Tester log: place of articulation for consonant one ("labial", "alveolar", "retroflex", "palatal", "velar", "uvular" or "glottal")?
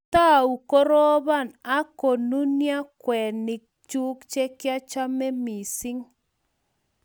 alveolar